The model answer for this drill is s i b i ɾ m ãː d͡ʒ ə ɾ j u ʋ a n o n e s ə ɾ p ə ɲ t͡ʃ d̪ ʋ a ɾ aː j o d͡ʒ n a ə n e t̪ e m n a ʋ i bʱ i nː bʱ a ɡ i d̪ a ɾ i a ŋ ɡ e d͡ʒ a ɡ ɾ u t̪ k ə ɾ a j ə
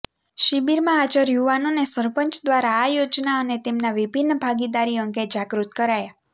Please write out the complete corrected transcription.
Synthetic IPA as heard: ʃ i b i ɾ m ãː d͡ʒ ə ɾ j u ʋ a n o n e s ə ɾ p ə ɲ t͡ʃ d̪ ʋ a ɾ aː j o d͡ʒ n a ə n e t̪ e m n a ʋ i bʱ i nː bʱ a ɡ i d̪ a ɾ i ə ŋ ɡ e d͡ʒ a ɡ ɾ u t̪ k ə ɾ a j a